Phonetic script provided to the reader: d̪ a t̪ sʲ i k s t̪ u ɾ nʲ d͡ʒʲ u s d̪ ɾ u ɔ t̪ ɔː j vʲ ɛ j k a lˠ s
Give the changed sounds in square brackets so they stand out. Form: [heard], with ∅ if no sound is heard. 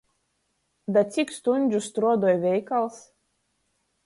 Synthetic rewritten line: d̪ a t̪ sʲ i k s t̪ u [∅] nʲ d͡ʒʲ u s [t̪] ɾ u ɔ [d̪] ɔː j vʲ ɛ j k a lˠ s